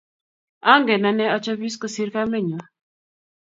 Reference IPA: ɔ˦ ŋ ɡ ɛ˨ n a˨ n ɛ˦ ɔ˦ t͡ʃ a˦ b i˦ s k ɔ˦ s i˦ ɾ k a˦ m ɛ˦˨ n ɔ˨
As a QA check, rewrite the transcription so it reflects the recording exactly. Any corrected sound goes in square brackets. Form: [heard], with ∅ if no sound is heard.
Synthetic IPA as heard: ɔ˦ ŋ ɡ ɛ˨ n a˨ n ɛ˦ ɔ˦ t͡ʃ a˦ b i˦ s k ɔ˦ s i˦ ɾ k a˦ m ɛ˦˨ [ɲ] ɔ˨